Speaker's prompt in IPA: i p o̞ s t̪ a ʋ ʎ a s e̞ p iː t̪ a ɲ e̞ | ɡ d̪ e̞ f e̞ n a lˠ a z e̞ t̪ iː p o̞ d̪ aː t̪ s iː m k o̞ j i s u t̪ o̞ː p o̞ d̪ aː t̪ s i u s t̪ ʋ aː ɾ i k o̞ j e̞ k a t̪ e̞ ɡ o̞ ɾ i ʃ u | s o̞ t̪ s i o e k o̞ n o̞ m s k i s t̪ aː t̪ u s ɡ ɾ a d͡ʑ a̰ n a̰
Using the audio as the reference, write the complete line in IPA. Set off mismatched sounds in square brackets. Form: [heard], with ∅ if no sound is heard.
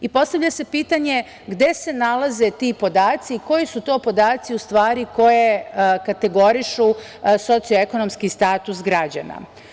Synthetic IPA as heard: i p o̞ s t̪ a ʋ ʎ a s e̞ p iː t̪ a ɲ e̞ | ɡ d̪ e̞ [s] e̞ n a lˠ a z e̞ t̪ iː p o̞ d̪ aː t̪ s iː [∅] k o̞ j i s u t̪ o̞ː p o̞ d̪ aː t̪ s i u s t̪ ʋ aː ɾ i k o̞ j e̞ k a t̪ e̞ ɡ o̞ ɾ i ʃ u | s o̞ t̪ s i o e k o̞ n o̞ m s k i s t̪ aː t̪ u s ɡ ɾ a d͡ʑ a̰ n a̰

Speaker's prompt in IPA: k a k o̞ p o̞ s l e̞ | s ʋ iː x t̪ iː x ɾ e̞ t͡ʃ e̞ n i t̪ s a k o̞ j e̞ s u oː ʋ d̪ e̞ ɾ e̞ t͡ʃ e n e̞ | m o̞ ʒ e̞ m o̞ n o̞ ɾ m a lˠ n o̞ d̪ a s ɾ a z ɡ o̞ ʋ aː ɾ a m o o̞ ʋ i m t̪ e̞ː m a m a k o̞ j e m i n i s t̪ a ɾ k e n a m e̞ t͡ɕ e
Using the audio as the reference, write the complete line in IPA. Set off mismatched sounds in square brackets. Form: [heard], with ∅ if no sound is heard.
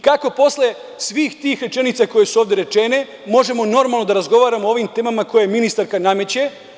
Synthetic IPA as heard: k a k o̞ p o̞ s l e̞ | s ʋ iː x t̪ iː x ɾ e̞ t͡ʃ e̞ n i t̪ s a k o̞ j e̞ s u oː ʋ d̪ e̞ ɾ e̞ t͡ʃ e n e̞ | m o̞ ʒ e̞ m o̞ n o̞ ɾ m a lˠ n o̞ d̪ a [∅] ɾ a z ɡ o̞ ʋ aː ɾ a m o o̞ ʋ i m t̪ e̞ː m a m a k o̞ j e m i n i s t̪ a ɾ k [a] n a m e̞ t͡ɕ e

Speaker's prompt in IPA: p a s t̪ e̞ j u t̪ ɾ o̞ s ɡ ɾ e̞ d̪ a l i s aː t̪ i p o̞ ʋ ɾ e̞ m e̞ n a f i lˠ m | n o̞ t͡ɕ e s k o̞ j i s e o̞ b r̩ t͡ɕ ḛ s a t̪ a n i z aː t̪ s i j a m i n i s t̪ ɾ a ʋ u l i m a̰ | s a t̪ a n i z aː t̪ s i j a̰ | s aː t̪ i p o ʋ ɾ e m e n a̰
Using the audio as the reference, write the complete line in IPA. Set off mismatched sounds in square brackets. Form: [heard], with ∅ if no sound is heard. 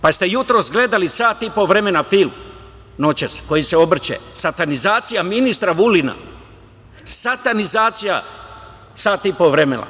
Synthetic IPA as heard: p a s t̪ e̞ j u t̪ ɾ o̞ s ɡ [l] e̞ d̪ a l i s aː t̪ i p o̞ ʋ ɾ e̞ m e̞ n a f i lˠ m | n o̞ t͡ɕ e s k o̞ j i s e o̞ b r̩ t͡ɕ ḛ s a t̪ a n i z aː t̪ s i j a m i n i s t̪ ɾ a ʋ u l i [n] a̰ | s a t̪ a n i z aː t̪ s i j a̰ | s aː t̪ i p o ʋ ɾ e m e n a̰

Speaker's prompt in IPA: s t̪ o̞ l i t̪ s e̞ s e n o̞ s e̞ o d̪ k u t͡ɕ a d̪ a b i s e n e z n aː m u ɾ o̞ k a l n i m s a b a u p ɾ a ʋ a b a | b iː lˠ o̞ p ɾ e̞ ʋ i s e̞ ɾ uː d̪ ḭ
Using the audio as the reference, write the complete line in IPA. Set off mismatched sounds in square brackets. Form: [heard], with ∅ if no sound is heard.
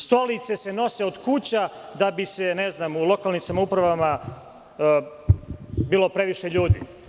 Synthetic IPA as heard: s t̪ o̞ l i t̪ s e̞ s e n o̞ s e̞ o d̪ k u t͡ɕ a d̪ a b i s e n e z n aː m u [l] o̞ k a l n i m s a [m] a u p ɾ a ʋ a [m] a | b iː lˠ o̞ p ɾ e̞ ʋ i [ʃ] e̞ [ʎ] uː d̪ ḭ

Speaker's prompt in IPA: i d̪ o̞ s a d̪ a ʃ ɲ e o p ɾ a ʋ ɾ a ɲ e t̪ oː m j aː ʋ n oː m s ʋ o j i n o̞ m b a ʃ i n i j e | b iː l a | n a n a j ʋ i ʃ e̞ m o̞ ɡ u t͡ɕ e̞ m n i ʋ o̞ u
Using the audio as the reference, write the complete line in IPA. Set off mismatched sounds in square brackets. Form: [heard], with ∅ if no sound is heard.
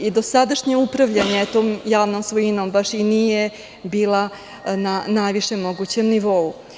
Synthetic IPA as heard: i d̪ o̞ s a d̪ a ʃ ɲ e [u] p ɾ a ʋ [ʎ] a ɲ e t̪ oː m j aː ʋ n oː m s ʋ o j i n o̞ m b a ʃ i n i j e | b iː l a | n a n a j ʋ i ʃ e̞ m o̞ ɡ u t͡ɕ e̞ m n i ʋ o̞ u

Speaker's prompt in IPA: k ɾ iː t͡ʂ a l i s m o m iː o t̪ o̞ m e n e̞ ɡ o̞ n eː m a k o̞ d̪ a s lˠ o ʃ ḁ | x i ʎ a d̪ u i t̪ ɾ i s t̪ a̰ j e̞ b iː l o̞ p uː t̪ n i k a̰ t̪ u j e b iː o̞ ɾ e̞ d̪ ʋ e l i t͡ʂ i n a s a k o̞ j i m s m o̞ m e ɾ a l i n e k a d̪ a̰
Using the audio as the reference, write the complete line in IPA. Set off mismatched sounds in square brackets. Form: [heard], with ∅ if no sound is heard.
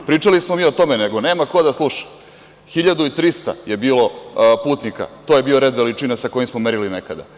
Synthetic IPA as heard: [p] ɾ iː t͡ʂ a l i s m o m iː o t̪ o̞ m e n e̞ ɡ o̞ n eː m a k o̞ d̪ a s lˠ [u] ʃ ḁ | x i ʎ a d̪ u i t̪ ɾ i s t̪ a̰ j e̞ b iː l o̞ p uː t̪ n i k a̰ t̪ [o] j e b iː o̞ ɾ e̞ d̪ ʋ e l i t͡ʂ i n a s a k o̞ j i m s m o̞ m e ɾ [i] l i n e k a d̪ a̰

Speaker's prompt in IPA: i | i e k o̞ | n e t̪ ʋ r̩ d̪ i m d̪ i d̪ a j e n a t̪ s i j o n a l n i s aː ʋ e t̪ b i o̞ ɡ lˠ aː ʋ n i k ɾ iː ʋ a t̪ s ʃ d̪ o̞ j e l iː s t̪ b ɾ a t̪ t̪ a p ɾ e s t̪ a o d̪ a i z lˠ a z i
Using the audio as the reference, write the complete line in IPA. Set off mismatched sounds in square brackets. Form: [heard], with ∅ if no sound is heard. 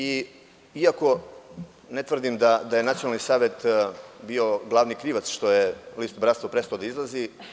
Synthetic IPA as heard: i | i [a] k o̞ | n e t̪ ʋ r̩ d̪ i m d̪ [a] d̪ a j e n a t̪ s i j o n a l n i s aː ʋ e t̪ b i o̞ ɡ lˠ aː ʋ n i k ɾ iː ʋ a t̪ s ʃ [t̪] o̞ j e l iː s t̪ b ɾ a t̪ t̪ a p ɾ e s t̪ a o d̪ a i z lˠ a z i

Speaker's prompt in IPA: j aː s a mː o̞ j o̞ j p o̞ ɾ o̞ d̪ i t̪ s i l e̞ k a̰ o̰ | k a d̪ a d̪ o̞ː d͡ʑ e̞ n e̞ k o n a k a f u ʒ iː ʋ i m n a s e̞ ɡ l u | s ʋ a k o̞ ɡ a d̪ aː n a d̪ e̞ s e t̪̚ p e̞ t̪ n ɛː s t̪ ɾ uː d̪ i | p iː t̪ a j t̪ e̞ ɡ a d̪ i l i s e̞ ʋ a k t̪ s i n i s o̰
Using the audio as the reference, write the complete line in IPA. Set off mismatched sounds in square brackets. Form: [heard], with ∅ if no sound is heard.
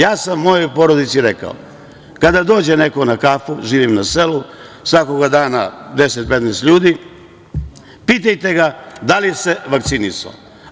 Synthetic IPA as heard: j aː s a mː o̞ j o̞ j p o̞ ɾ o̞ d̪ i t̪ s i [ɾ] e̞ k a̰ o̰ | k a d̪ a d̪ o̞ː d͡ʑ e̞ n e̞ k o n a k a f u ʒ iː ʋ i m n a s e̞ [∅] l u | s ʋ a k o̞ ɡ a d̪ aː n a d̪ e̞ s e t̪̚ p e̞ t̪ n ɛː s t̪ [ʎ] uː d̪ i | p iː t̪ a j t̪ e̞ ɡ a d̪ [a] l i s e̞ ʋ a k t̪ s i n i s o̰

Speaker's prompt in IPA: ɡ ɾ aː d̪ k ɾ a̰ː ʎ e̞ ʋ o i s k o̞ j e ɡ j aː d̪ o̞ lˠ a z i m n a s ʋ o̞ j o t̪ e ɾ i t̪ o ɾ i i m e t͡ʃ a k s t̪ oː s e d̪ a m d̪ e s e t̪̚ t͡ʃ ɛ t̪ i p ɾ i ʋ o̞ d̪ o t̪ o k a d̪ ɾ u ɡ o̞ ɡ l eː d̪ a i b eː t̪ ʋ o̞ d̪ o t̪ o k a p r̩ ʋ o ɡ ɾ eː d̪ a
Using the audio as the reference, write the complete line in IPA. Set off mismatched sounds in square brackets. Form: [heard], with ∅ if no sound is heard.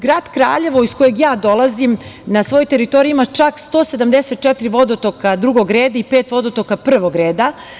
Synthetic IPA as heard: ɡ ɾ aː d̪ k ɾ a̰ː ʎ e̞ ʋ o i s k o̞ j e ɡ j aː d̪ o̞ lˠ a z i m n a s ʋ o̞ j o t̪ e ɾ i t̪ o ɾ i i m [a] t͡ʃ a k s t̪ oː s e d̪ a m d̪ e s e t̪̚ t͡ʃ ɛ t̪ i [∅] ɾ i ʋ o̞ d̪ o t̪ o k a d̪ ɾ u ɡ o̞ ɡ [ɾ] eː d̪ a i [p] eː t̪ ʋ o̞ d̪ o t̪ o k a p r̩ ʋ o ɡ ɾ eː d̪ a

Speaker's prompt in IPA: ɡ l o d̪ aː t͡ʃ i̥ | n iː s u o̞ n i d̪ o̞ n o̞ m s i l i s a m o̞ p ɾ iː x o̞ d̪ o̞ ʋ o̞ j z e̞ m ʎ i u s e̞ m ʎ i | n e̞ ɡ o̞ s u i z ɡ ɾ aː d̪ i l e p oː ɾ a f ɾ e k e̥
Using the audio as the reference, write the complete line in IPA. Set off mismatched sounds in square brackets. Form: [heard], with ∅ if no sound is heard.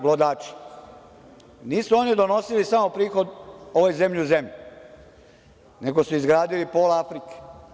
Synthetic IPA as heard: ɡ l o d̪ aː t͡ʃ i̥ | n iː s u o̞ n i d̪ o̞ n o̞ [∅] s i l i s a m o̞ p ɾ iː x o̞ d̪ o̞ ʋ o̞ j z e̞ m ʎ i u [z] e̞ m ʎ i | n e̞ ɡ o̞ s u i z ɡ ɾ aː d̪ i l [i] p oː [l] a f ɾ [i] k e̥

